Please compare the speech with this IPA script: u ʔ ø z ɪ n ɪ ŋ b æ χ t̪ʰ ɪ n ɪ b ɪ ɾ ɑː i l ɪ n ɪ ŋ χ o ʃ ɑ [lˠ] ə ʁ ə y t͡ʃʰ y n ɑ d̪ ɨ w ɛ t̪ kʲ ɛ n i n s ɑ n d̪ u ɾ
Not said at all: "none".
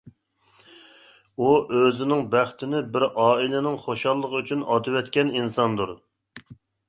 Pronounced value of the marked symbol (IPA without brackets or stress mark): lˠː